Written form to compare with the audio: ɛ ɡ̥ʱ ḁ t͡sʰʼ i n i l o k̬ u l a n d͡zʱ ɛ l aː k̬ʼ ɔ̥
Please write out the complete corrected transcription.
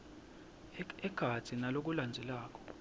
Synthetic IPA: ɛ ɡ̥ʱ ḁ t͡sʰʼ i n a l o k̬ u l a n d͡zʱ ɛ l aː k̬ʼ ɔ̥